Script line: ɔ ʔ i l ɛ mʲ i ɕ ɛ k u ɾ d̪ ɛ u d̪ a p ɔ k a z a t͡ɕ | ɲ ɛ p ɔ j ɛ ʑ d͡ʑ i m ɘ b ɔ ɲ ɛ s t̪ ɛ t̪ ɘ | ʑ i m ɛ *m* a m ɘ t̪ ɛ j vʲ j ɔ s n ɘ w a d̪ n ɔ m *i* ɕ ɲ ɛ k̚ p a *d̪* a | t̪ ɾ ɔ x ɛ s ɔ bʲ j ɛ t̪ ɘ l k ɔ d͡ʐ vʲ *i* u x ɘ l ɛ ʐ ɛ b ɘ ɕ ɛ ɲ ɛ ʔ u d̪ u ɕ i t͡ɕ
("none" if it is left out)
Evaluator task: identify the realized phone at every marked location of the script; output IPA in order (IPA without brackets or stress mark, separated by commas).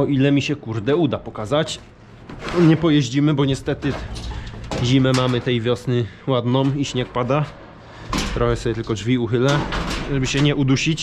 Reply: m, i, d̪, i